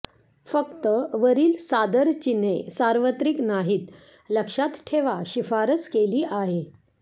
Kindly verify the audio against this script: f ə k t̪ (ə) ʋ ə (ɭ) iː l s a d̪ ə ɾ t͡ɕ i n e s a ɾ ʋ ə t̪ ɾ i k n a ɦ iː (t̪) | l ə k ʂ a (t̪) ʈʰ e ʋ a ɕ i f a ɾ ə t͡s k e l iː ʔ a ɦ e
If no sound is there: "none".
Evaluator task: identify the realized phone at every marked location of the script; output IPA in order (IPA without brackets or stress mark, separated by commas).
ə, ɾ, t̪, t̪